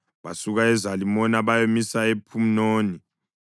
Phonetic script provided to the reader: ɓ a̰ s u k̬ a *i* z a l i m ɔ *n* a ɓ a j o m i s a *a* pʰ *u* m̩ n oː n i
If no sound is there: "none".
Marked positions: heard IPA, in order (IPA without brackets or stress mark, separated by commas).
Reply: ɛ, n, e, u